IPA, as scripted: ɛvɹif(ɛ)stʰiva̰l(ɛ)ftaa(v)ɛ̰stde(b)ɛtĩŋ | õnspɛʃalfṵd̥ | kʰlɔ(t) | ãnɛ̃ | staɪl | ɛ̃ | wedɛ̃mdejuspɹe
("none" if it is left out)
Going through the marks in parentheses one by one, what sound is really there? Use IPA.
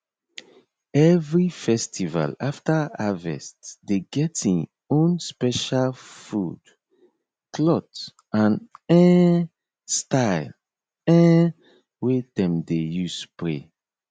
ɛ, a, v, ɡ, t

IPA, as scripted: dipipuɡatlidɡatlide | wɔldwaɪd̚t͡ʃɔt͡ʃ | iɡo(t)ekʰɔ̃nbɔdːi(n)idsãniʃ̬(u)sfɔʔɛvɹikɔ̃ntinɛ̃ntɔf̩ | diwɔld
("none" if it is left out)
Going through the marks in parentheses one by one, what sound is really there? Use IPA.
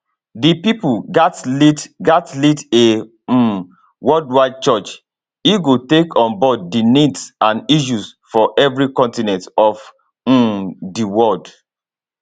t, n, u

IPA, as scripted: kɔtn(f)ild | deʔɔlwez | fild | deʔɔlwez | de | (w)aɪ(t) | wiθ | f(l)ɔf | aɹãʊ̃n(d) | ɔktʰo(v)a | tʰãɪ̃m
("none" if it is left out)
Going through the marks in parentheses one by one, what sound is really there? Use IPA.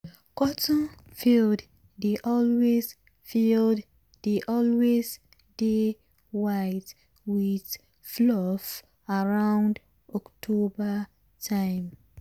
f, w, t, l, d, b

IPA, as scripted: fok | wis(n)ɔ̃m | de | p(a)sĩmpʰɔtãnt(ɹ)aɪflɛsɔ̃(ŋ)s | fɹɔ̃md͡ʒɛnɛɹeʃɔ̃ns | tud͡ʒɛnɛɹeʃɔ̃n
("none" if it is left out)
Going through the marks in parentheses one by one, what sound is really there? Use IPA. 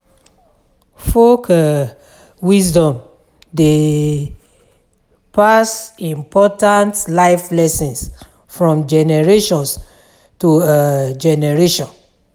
d, a, l, n

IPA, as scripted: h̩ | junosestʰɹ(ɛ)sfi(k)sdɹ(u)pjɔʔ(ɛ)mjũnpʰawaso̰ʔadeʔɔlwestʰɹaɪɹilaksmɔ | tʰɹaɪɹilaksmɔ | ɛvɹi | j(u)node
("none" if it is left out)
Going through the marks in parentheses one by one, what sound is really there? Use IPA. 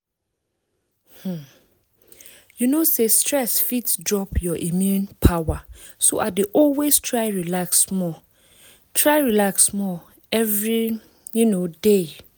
ɛ, t, ɔ, i, u

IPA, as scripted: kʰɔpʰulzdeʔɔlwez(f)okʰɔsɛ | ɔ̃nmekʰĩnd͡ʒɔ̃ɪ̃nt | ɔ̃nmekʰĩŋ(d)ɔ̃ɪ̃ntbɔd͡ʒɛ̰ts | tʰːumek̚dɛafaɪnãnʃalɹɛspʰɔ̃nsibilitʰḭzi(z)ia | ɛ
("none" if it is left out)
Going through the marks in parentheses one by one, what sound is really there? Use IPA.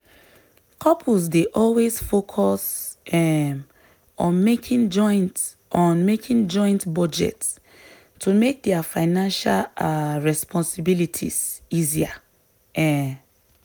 f, d͡ʒ, z

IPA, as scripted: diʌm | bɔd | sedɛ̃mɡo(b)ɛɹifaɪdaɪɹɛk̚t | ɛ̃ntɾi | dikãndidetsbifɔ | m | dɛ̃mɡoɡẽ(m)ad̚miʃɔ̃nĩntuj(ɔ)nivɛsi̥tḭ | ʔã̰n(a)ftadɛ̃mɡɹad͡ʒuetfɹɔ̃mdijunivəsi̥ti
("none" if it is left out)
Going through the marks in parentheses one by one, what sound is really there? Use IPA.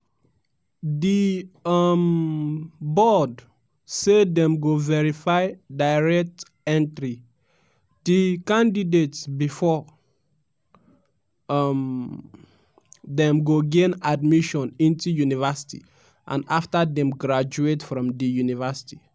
v, n, u, a

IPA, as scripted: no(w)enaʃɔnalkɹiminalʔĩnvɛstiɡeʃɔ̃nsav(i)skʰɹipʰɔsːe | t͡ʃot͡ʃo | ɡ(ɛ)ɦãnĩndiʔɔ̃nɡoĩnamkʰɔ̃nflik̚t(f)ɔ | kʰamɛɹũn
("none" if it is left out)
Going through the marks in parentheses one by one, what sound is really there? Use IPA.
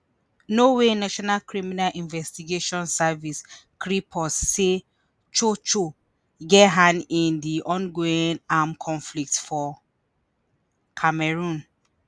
w, i, ɛ, f

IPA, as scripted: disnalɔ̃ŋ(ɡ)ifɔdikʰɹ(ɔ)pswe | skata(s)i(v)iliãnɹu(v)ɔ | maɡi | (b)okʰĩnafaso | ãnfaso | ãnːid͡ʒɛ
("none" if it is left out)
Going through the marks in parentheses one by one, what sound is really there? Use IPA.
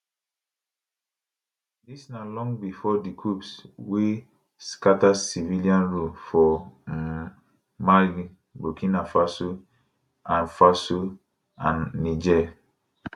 b, u, s, v, f, b

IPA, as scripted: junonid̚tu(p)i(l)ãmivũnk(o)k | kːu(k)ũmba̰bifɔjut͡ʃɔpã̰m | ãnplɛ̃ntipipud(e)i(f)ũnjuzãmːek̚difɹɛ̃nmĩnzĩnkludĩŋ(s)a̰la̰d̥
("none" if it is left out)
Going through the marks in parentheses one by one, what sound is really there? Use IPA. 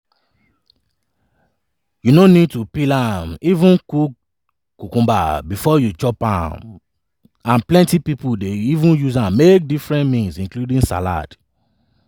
p, l, u, k, e, v, s

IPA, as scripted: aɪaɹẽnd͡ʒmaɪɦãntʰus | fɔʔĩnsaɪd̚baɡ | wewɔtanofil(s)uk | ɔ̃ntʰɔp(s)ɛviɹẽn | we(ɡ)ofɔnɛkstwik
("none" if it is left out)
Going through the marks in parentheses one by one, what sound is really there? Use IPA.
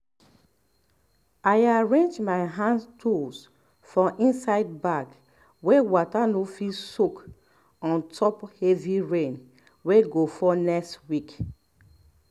s, h, ɡ

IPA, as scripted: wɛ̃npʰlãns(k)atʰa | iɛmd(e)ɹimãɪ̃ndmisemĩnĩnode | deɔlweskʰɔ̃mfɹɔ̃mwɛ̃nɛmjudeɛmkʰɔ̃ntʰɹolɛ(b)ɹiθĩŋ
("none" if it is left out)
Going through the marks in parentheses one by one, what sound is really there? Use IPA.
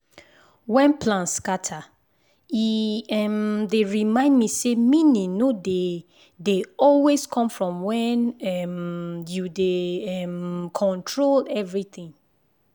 k, e, v

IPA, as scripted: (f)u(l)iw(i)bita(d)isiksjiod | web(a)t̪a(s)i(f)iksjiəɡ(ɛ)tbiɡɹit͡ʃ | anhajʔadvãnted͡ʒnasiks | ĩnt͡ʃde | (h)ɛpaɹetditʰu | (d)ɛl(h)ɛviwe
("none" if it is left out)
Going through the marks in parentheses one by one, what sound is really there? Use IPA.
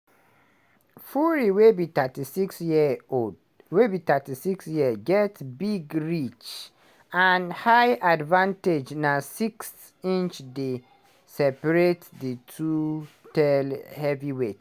f, ɹ, e, t, i, t, s, ɛ, s, t, h

